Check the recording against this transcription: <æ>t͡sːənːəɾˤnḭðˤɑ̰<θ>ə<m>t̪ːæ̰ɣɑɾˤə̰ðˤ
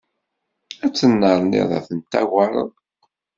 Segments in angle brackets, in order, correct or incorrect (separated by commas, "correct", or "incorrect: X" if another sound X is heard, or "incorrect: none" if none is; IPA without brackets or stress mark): correct, correct, incorrect: n